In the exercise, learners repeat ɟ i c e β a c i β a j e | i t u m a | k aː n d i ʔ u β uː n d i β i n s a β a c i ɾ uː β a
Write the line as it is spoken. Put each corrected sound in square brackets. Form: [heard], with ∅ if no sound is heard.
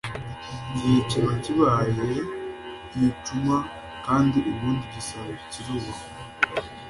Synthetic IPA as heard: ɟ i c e β a c i β a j e | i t u m a | k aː n d i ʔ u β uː n d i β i [∅] s a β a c i ɾ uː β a